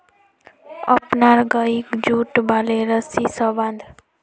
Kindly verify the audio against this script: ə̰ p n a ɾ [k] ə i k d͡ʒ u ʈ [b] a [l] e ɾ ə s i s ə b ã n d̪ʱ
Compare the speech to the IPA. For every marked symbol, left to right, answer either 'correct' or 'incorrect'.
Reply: incorrect, correct, correct

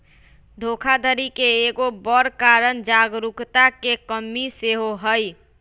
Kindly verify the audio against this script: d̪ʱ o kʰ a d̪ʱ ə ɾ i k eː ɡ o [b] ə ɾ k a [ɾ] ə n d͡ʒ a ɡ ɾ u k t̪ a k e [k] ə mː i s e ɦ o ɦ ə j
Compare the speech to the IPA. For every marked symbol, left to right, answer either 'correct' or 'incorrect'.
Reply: correct, correct, correct

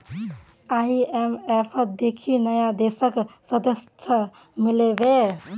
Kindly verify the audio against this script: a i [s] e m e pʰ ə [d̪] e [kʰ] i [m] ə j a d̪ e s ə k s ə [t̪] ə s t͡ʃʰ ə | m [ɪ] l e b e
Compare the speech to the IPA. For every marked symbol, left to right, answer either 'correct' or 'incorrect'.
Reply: incorrect, correct, correct, incorrect, incorrect, incorrect

